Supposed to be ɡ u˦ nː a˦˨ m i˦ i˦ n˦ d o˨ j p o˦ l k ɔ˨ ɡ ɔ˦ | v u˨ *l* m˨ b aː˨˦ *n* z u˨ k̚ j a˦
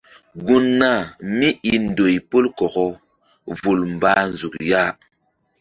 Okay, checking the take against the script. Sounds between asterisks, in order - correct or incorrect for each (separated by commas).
correct, correct